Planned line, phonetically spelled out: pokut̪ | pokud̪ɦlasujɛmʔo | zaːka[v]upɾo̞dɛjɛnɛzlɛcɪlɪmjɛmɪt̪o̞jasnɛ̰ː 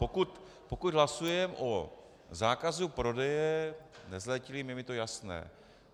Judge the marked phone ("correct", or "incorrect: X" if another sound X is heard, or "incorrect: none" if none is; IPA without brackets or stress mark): incorrect: z